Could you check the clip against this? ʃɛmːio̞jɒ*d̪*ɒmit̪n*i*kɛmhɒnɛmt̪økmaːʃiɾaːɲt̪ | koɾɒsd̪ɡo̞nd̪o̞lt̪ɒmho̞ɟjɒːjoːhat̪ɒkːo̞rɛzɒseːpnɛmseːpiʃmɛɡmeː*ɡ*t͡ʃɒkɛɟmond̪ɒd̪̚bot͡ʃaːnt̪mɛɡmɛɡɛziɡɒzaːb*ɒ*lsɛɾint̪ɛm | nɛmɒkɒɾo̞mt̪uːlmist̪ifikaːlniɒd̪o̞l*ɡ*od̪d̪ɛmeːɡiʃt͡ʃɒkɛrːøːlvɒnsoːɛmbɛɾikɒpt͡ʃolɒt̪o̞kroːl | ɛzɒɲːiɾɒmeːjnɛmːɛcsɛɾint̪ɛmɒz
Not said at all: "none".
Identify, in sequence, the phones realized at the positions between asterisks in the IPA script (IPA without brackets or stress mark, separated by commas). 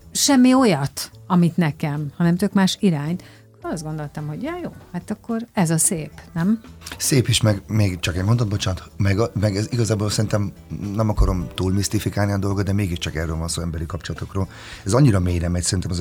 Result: t̪, ɛ, ɡ, o, ɡ